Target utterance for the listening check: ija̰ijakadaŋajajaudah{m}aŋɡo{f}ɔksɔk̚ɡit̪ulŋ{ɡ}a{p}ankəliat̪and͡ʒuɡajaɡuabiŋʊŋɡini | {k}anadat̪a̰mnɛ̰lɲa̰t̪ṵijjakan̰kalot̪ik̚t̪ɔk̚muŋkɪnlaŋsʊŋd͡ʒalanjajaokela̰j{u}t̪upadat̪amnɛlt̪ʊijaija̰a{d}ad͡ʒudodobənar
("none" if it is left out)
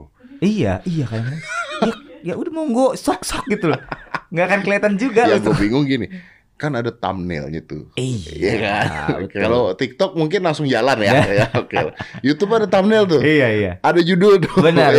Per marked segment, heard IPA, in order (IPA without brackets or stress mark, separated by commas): m, s, ɡ, k, k, u, d